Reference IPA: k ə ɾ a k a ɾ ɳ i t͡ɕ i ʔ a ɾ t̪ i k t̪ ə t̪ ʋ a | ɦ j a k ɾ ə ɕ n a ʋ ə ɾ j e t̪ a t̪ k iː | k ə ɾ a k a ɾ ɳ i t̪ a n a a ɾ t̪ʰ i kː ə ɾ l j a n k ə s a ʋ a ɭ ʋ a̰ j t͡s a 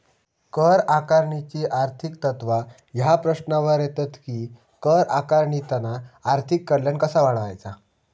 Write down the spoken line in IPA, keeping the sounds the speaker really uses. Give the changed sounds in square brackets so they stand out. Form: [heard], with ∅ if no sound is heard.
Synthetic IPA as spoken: k ə ɾ a k a ɾ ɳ i t͡ɕ i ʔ a ɾ [t̪ʰ] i k t̪ ə t̪ ʋ a | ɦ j a [p] ɾ ə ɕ n a ʋ ə ɾ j e t̪ a t̪ k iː | k ə ɾ a k a ɾ ɳ i t̪ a n a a ɾ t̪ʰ i kː ə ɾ l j a n k ə s a ʋ a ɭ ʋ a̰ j t͡s a